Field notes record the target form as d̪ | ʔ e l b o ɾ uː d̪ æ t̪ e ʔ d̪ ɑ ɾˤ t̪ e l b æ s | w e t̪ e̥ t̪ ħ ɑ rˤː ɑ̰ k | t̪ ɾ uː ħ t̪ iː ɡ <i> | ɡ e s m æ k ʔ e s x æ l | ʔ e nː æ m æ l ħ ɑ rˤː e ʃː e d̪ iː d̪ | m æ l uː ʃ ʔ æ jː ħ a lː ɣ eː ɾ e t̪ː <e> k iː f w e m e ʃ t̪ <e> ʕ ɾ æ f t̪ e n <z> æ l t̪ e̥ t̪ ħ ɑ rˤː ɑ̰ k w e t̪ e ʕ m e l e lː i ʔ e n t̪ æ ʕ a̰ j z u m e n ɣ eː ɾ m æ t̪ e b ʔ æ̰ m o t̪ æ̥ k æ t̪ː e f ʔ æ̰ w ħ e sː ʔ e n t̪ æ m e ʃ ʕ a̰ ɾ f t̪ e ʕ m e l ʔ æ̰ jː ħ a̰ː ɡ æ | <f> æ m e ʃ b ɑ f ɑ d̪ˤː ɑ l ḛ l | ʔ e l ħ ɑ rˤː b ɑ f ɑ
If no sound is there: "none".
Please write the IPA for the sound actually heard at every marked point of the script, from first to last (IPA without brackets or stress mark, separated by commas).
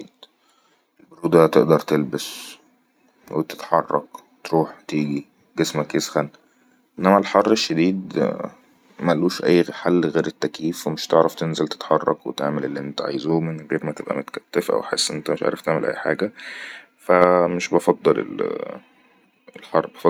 i, æ, e, z, f